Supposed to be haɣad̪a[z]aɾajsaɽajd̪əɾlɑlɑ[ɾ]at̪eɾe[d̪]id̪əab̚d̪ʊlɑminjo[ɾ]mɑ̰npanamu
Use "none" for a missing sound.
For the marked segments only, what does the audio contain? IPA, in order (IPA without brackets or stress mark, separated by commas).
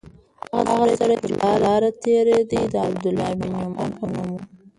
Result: ɣ, ɾ, d̪, none